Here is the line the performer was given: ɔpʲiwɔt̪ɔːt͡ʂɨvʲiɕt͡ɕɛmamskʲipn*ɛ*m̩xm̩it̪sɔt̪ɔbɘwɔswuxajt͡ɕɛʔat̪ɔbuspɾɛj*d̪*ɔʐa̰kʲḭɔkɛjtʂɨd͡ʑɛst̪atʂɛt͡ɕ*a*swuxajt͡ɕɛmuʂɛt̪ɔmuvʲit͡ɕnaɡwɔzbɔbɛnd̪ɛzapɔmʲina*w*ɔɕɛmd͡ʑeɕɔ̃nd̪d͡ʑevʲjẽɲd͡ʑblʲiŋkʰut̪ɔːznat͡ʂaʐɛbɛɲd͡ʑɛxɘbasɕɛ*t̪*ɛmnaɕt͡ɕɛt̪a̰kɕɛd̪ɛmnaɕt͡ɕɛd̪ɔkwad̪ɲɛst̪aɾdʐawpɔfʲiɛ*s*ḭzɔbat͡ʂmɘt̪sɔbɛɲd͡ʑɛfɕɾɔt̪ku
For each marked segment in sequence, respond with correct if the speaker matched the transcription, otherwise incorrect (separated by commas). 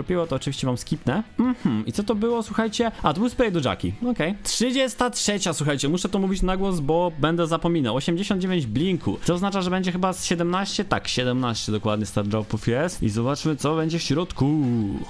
correct, correct, correct, correct, incorrect, correct